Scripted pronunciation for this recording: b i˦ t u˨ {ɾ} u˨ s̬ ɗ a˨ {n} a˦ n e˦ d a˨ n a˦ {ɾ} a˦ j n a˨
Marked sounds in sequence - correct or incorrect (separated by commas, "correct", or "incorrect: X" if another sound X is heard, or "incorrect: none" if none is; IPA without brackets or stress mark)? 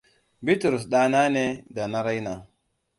correct, correct, correct